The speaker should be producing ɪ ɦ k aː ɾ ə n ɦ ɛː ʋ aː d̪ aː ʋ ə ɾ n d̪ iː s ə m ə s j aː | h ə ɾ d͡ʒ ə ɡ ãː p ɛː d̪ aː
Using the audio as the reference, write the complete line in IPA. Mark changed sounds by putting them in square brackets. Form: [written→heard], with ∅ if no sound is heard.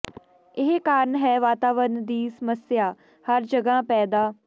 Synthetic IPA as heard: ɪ ɦ k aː ɾ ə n ɦ ɛː ʋ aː [d̪→t̪] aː ʋ ə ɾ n d̪ iː s ə m ə s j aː | h ə ɾ d͡ʒ ə ɡ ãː p ɛː d̪ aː